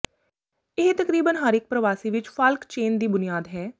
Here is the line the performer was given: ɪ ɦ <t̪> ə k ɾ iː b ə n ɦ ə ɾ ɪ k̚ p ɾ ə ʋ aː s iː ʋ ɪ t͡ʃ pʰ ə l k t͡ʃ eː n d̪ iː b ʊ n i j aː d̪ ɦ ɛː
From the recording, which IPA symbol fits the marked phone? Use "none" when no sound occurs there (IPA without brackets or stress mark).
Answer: t̪